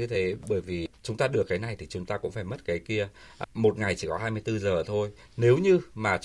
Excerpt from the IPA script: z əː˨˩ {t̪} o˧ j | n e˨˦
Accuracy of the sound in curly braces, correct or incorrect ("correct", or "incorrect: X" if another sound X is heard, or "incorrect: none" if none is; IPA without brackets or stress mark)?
incorrect: t̪ʰ